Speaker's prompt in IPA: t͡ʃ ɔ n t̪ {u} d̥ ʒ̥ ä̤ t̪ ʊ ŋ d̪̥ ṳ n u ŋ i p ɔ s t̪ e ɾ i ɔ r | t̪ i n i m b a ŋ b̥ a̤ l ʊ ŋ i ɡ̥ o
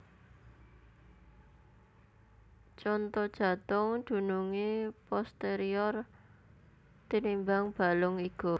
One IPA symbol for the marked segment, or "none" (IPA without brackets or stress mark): ɔ